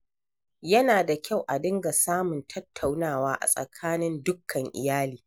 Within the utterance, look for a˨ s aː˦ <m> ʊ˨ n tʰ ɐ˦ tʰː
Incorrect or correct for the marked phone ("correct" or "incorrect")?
correct